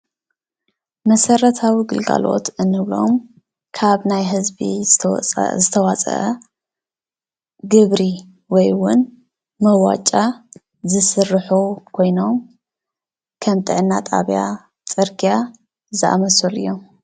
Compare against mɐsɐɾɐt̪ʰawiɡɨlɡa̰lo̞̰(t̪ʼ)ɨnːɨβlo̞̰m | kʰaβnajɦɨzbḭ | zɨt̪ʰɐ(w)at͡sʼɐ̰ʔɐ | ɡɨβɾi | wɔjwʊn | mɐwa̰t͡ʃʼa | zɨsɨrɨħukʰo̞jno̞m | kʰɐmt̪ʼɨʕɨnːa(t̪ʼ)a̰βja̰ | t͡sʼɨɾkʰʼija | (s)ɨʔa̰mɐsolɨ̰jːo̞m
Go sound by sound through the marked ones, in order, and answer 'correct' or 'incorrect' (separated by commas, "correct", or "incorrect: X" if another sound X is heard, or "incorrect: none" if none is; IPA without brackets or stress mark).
incorrect: t̪, correct, correct, incorrect: z